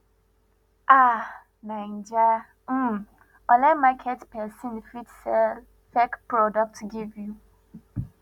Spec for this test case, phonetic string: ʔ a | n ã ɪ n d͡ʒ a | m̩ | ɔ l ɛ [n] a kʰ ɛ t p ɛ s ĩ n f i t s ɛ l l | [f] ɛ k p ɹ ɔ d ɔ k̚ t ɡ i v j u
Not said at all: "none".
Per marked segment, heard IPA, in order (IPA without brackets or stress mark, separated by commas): m, f